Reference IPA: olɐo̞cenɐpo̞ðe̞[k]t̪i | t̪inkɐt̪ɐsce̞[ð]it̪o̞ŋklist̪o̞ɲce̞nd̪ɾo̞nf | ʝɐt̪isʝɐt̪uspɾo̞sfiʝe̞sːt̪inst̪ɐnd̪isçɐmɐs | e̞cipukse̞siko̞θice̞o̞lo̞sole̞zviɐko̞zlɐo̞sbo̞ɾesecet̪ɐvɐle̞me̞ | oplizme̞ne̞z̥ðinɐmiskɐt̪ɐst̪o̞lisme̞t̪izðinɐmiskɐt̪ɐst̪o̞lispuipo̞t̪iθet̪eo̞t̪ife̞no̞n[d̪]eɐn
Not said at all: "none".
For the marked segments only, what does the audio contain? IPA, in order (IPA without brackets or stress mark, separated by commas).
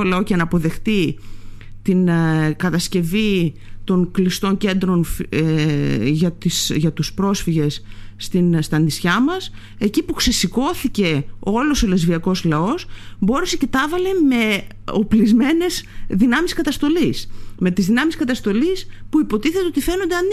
x, v, d̪